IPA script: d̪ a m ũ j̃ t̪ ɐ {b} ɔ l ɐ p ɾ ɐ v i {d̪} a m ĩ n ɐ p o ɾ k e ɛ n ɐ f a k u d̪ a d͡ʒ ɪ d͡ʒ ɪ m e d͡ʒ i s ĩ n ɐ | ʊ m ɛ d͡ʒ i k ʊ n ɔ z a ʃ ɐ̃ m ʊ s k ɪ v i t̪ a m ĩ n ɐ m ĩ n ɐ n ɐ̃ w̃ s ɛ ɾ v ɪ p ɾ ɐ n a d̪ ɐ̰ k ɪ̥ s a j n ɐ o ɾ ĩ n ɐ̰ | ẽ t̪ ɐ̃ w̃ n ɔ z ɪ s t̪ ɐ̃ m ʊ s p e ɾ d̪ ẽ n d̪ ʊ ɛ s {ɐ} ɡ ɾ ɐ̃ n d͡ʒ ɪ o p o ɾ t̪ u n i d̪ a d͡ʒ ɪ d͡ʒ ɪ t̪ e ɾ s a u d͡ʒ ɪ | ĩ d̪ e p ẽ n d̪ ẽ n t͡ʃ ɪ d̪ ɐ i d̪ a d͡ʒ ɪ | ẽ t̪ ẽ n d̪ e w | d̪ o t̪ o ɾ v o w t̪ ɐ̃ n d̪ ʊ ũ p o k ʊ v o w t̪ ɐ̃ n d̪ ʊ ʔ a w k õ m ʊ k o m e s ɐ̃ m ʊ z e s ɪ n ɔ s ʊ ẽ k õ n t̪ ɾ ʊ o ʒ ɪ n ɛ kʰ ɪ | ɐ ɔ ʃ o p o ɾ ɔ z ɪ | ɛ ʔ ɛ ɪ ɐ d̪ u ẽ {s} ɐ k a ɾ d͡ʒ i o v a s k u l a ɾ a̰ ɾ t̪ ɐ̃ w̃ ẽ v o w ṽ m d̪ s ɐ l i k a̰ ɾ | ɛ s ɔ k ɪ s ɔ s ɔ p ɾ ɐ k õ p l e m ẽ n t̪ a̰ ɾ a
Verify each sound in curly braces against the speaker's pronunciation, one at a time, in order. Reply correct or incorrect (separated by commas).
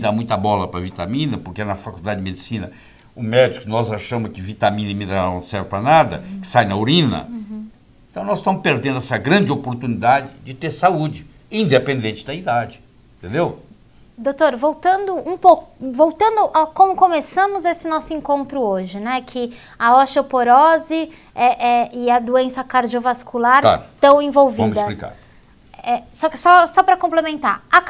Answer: correct, incorrect, correct, correct